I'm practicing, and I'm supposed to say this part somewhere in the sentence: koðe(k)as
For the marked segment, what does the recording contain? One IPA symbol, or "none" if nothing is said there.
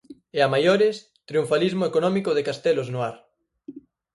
k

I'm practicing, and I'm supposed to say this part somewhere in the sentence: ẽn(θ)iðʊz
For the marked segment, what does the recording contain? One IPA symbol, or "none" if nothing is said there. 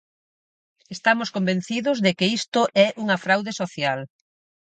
θ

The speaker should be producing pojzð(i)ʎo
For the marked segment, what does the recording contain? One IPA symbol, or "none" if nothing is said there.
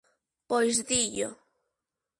i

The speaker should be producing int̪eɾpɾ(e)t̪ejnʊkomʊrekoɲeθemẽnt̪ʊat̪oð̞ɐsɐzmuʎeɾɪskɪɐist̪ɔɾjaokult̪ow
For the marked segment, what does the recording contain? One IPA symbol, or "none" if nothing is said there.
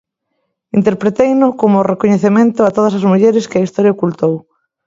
e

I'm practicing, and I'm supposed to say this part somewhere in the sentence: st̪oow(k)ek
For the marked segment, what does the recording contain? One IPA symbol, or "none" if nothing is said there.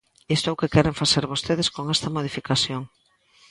k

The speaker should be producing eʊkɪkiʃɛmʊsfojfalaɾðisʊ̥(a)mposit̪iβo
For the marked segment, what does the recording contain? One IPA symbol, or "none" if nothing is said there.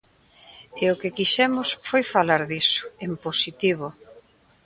e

